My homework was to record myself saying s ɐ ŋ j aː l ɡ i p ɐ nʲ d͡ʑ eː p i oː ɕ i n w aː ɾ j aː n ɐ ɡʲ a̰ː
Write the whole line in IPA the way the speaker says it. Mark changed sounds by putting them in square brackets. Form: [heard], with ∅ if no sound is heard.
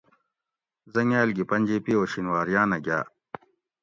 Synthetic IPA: [z] ɐ ŋ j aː l ɡ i p ɐ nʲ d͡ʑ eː p i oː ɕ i n w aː ɾ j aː n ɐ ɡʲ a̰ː